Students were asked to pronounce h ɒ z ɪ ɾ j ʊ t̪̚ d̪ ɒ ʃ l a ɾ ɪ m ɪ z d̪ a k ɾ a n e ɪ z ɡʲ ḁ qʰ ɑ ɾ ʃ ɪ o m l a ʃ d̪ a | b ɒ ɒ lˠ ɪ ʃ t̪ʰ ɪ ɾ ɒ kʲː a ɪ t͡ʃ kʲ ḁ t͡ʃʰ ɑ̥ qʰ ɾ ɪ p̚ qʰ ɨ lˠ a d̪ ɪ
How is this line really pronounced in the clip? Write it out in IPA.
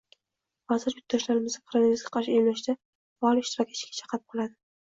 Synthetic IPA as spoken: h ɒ z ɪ ɾ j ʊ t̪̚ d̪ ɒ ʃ l a ɾ ɪ m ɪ z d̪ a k ɾ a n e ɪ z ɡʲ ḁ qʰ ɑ ɾ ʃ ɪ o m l a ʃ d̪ a | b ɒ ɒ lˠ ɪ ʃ t̪ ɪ ɾ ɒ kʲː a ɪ t͡ʃ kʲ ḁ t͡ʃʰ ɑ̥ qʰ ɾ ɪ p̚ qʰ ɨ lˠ a d̪ ɪ